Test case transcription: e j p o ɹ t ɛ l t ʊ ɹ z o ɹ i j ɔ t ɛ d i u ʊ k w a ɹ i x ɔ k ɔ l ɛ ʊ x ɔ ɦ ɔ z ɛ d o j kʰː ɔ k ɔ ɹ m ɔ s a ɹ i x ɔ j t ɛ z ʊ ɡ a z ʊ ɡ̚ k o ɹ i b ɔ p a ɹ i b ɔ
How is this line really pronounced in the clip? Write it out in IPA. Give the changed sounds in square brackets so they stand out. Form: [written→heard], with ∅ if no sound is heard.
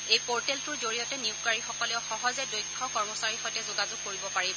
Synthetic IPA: e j p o ɹ t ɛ l t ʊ ɹ z o ɹ i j ɔ t ɛ [d→n] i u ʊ k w a ɹ i x ɔ k ɔ l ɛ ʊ x ɔ ɦ ɔ z ɛ d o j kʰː ɔ k ɔ ɹ m ɔ s a ɹ i x ɔ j t ɛ z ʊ ɡ a z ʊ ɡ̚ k o ɹ i b ɔ p a ɹ i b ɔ